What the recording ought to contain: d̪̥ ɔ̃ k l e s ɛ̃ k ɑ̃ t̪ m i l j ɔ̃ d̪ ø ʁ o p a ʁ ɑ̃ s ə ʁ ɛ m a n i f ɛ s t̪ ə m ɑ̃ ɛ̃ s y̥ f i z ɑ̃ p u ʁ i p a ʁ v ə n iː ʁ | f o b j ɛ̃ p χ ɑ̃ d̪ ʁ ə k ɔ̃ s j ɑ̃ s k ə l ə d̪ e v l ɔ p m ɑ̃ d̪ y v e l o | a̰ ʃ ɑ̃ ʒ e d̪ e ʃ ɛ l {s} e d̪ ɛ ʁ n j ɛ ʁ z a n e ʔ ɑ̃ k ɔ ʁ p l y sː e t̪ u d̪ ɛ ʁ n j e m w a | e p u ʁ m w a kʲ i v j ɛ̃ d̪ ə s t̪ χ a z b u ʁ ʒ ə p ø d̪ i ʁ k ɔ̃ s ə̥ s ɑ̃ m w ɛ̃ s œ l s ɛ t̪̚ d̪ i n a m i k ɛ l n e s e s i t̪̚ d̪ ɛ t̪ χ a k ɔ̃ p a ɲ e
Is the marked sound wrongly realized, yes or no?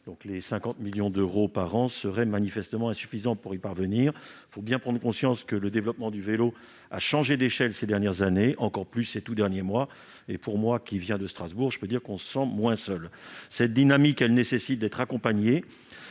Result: no